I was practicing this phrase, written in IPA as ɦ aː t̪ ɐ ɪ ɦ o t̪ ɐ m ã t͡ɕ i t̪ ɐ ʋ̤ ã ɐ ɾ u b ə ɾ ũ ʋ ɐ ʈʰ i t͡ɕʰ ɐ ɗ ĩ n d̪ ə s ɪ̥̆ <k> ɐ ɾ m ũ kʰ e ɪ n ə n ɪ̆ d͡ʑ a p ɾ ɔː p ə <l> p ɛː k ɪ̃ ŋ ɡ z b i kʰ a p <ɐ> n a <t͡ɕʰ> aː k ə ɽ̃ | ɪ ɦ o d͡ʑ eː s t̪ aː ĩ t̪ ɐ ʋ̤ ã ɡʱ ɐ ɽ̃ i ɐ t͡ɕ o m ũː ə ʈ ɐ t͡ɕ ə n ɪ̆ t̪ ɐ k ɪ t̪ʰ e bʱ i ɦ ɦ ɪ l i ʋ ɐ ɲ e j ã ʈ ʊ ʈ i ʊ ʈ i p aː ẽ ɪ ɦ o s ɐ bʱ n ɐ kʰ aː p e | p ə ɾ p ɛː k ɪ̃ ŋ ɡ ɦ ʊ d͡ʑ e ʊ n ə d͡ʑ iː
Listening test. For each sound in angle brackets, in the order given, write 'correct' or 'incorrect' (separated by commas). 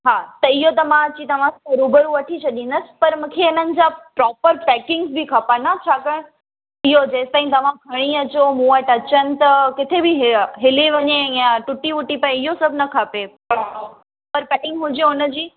incorrect, incorrect, incorrect, correct